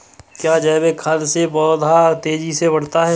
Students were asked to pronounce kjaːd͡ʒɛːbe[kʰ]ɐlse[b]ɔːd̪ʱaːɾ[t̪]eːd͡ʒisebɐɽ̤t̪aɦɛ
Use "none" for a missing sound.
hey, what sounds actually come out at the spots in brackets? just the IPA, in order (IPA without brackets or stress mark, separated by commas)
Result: kʰ, b, t̪